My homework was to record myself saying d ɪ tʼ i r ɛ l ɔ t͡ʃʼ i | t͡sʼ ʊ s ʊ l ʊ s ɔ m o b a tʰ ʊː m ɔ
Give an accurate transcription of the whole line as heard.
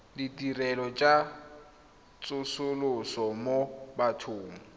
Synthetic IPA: d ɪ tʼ i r ɛ l ɔ t͡ʃʼ a | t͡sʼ ʊ s ʊ l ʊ s ɔ m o b a tʰ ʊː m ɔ